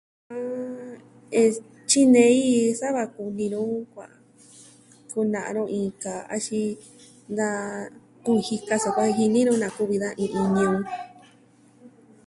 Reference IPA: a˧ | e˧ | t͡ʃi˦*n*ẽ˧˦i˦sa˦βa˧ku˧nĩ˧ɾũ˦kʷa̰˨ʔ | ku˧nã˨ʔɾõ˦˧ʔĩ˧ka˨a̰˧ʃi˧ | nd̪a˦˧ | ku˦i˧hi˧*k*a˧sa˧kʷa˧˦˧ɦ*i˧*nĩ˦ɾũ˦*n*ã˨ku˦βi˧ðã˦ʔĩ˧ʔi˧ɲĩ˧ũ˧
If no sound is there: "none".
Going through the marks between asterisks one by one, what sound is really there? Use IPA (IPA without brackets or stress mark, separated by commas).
n, k, i˧, n